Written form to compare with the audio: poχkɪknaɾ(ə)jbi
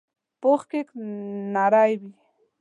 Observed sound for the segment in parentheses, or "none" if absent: a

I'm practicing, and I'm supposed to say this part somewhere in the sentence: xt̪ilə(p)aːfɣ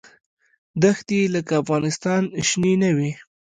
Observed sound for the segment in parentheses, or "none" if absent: k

